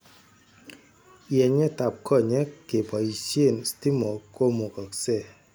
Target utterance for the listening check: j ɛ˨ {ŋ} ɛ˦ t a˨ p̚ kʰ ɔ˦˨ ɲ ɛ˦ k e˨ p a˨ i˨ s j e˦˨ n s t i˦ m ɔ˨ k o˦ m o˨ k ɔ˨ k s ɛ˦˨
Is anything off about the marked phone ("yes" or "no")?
yes